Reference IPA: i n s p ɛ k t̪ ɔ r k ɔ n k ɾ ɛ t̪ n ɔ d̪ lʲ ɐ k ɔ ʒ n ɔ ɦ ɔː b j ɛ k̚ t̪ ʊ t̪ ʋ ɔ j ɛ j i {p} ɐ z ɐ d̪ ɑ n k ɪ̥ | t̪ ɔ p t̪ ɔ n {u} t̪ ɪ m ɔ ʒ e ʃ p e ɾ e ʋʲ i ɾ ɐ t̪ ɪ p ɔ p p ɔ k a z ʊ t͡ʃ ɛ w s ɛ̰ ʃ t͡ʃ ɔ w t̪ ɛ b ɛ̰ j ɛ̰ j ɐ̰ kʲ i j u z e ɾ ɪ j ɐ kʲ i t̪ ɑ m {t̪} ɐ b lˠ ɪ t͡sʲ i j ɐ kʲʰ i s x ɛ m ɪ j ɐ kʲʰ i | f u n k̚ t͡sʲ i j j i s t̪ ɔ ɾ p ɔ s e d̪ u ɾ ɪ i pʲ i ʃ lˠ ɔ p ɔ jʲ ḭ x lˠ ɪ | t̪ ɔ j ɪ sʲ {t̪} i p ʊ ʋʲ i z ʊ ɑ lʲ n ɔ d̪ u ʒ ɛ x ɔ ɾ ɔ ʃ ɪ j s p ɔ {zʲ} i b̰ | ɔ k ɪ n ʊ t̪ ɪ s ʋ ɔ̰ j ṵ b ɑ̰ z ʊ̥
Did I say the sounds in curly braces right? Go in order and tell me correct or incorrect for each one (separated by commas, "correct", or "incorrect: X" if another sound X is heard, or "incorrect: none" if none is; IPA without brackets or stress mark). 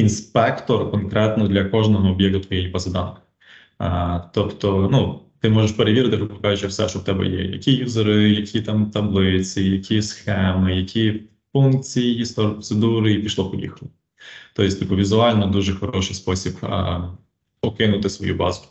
correct, correct, correct, correct, incorrect: sʲ